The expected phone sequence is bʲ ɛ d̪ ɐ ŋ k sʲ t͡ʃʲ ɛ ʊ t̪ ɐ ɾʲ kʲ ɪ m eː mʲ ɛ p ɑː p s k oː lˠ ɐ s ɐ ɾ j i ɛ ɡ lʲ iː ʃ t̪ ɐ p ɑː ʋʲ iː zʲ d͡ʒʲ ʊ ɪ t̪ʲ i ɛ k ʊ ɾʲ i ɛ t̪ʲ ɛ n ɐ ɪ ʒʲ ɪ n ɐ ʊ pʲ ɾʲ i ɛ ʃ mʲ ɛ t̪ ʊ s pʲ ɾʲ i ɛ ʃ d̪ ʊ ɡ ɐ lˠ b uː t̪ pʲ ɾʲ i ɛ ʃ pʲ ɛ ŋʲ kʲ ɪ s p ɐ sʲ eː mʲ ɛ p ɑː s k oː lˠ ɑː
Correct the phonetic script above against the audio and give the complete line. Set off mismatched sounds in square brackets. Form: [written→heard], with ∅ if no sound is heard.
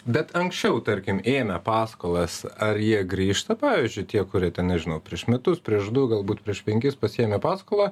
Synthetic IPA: bʲ ɛ [d̪→t̪] ɐ ŋ k sʲ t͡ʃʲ ɛ ʊ t̪ ɐ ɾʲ kʲ ɪ m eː mʲ ɛ p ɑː [p→∅] s k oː lˠ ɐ s ɐ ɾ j i ɛ ɡ [lʲ→ɾʲ] iː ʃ t̪ ɐ p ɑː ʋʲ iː zʲ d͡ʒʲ ʊ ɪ t̪ʲ i ɛ k ʊ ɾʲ i ɛ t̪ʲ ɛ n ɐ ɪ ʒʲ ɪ n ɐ ʊ pʲ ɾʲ i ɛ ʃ mʲ ɛ t̪ ʊ s pʲ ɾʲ i ɛ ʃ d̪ ʊ ɡ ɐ lˠ b uː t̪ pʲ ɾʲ i ɛ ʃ pʲ ɛ ŋʲ kʲ ɪ s p ɐ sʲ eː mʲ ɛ p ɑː s k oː lˠ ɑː